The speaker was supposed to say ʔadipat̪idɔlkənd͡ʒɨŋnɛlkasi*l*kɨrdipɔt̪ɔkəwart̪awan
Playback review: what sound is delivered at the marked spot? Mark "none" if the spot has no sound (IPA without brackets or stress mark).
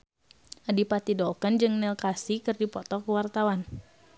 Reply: none